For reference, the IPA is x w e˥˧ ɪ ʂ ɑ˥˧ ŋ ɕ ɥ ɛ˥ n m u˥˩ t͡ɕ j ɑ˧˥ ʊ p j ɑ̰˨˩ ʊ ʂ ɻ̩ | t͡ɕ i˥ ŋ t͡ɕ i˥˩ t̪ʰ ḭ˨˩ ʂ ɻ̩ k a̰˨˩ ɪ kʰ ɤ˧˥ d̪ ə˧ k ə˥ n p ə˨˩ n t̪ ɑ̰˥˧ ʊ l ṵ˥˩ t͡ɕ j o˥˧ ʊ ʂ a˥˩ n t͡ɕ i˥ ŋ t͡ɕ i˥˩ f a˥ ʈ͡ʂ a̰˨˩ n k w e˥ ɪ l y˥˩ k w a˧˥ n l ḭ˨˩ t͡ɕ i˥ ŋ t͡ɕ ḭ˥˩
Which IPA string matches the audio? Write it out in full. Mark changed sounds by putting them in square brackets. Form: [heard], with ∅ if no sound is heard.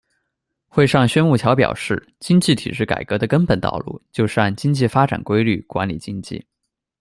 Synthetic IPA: x w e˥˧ ɪ ʂ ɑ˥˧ ŋ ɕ ɥ ɛ˥ n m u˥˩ [t͡ɕʰ] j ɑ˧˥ ʊ p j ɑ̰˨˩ ʊ ʂ ɻ̩ | t͡ɕ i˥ ŋ t͡ɕ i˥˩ t̪ʰ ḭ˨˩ ʂ ɻ̩ k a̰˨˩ ɪ [k] ɤ˧˥ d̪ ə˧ k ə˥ n p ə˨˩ n t̪ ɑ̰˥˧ ʊ l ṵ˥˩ t͡ɕ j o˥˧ ʊ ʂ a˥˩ n t͡ɕ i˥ ŋ t͡ɕ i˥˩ f a˥ ʈ͡ʂ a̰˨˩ n k w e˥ ɪ l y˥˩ k w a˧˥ n l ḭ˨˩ t͡ɕ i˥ ŋ t͡ɕ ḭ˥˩